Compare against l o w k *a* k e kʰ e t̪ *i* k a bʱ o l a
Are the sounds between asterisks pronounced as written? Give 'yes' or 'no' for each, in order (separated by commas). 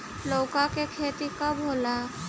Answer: yes, yes